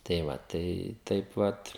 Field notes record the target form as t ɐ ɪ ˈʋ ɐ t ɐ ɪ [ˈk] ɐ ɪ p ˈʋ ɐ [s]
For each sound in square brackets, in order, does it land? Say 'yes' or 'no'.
no, no

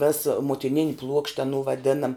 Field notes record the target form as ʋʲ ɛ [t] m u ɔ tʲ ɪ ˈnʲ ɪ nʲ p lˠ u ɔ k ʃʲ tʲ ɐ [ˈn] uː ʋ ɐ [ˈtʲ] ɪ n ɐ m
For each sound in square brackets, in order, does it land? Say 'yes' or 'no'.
no, yes, no

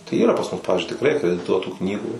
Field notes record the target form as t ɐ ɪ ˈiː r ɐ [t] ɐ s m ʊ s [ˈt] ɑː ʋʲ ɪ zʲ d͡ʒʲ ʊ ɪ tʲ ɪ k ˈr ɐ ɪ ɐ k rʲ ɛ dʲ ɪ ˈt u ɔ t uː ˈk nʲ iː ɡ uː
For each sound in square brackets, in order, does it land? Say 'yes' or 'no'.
no, no

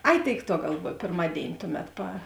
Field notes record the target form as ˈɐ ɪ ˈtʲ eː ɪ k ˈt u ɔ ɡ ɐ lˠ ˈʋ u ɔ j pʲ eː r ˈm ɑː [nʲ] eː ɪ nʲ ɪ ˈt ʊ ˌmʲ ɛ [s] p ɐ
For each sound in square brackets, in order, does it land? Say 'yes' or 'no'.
no, no

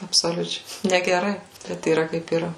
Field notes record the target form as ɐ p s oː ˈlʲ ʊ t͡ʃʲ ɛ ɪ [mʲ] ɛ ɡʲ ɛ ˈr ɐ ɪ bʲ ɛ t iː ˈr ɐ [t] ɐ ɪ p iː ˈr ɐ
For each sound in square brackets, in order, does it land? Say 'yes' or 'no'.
no, no

